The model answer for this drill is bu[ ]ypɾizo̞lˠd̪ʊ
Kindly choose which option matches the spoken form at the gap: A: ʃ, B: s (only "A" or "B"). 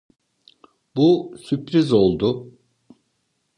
B